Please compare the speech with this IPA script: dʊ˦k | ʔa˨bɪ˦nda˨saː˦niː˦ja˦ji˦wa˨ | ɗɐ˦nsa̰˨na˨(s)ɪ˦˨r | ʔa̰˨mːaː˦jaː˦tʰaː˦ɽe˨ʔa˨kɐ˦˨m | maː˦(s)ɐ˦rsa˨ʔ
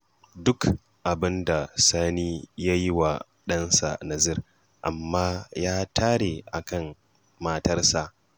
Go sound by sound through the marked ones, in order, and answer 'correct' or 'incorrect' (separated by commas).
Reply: incorrect, incorrect